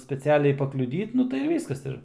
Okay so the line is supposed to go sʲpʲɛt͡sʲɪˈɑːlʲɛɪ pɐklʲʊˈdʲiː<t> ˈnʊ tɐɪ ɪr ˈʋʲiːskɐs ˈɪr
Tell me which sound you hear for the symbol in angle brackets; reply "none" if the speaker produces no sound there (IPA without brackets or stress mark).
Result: t